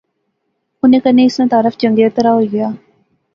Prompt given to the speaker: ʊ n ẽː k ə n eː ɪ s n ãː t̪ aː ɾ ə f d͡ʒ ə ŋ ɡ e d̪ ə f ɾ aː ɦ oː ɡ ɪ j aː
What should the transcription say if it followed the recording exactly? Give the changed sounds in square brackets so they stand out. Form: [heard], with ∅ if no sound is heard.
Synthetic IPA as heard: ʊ n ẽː k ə n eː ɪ s n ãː t̪ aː ɾ ə f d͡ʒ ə ŋ ɡ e [t̪] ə [∅] ɾ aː ɦ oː ɡ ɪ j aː